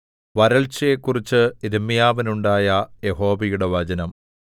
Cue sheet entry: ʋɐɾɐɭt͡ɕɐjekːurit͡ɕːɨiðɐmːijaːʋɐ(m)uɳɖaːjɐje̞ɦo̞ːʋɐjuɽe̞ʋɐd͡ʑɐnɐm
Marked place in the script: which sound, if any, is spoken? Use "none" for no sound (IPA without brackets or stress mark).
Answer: n